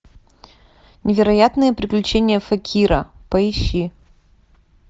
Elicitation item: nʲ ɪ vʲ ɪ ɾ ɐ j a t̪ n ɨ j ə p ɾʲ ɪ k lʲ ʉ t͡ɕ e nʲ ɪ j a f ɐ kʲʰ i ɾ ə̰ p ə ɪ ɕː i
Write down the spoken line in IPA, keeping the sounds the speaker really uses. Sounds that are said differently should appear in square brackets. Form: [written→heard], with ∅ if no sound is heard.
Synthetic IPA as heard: nʲ ɪ vʲ ɪ ɾ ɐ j a t̪ n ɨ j ə p ɾʲ ɪ k lʲ ʉ t͡ɕ e nʲ ɪ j [a→ə] f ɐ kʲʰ i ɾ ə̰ p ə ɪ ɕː i